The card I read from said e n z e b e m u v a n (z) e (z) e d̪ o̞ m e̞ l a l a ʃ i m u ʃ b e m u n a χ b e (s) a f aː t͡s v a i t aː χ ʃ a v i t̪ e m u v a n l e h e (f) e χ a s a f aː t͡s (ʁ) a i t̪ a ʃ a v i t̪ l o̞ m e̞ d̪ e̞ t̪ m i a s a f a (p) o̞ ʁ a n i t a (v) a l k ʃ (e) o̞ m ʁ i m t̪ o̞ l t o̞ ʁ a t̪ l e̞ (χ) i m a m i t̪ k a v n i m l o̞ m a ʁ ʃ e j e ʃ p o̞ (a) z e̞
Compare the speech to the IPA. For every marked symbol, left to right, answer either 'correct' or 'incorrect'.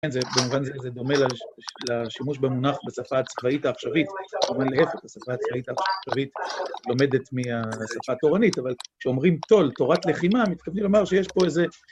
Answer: correct, correct, correct, correct, incorrect, incorrect, correct, correct, correct, incorrect

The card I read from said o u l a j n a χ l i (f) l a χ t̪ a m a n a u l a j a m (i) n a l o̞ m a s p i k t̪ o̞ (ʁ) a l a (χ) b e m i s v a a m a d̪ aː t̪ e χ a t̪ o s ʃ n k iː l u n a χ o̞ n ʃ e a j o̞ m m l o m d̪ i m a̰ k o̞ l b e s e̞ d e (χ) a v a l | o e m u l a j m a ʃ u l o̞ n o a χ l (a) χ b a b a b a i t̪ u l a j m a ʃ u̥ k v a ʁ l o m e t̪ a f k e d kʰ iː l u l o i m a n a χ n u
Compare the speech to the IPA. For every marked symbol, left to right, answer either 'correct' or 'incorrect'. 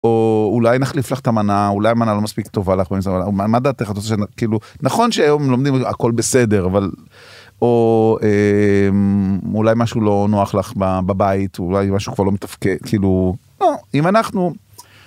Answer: correct, incorrect, incorrect, correct, incorrect, correct

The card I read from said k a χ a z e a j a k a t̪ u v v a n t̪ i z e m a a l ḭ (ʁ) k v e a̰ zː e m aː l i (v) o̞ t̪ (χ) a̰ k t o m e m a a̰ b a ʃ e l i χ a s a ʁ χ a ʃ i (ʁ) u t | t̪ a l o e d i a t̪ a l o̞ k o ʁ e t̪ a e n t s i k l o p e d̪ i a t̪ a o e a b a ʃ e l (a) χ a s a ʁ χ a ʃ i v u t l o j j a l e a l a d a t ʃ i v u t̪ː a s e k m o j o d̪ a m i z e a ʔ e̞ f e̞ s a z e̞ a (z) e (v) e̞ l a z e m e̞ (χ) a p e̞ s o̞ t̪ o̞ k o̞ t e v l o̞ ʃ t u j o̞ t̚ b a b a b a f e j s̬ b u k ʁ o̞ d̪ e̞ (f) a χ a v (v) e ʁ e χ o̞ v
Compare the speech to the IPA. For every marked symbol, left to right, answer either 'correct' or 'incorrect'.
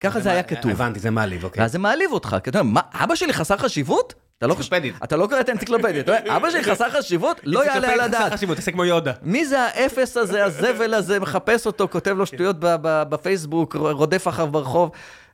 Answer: incorrect, correct, correct, incorrect, incorrect, correct, correct, correct, correct, incorrect

